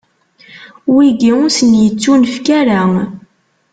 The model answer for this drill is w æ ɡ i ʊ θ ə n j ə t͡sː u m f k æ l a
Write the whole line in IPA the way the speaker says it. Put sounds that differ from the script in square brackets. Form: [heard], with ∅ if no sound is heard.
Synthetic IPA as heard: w [i] ɡ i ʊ [s] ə n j ə t͡sː u [n] f k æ [ɾ] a